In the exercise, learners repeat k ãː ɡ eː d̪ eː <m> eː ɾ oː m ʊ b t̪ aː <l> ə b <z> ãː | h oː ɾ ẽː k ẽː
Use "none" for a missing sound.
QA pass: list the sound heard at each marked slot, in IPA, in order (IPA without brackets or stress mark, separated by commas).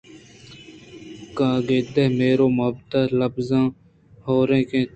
m, l, z